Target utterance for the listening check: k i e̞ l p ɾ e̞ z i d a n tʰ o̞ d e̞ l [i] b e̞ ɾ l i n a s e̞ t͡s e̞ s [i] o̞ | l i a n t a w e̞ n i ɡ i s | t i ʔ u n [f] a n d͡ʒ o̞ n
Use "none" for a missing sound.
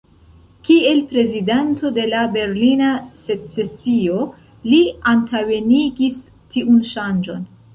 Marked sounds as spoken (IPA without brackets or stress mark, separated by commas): a, i, ʃ